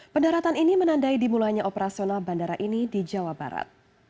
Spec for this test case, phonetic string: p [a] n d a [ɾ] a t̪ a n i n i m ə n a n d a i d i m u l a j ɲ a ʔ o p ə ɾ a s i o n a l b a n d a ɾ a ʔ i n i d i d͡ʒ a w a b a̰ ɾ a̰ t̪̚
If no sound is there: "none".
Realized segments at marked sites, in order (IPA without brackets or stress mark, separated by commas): ə, ɾ